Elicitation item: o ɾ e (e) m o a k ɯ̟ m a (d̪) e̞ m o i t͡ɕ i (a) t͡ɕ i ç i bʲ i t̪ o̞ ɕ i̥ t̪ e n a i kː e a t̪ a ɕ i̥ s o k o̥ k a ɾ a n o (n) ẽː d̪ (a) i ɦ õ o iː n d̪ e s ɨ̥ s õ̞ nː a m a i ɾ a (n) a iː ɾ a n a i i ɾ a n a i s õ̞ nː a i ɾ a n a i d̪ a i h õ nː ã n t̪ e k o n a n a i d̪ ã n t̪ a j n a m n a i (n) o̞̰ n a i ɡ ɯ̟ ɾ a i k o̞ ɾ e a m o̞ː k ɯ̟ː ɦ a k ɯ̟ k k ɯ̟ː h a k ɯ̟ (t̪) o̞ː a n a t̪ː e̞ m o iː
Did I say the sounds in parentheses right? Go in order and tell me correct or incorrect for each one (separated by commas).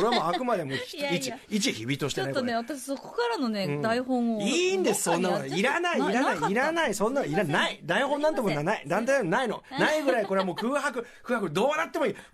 incorrect, correct, incorrect, correct, correct, correct, correct, incorrect